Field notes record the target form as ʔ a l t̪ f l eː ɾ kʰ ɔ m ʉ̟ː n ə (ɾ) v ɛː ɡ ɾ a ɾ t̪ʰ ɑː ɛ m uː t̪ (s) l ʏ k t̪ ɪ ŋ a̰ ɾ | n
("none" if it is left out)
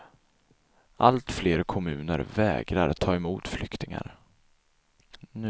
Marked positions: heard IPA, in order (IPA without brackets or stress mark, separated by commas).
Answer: ɾ, f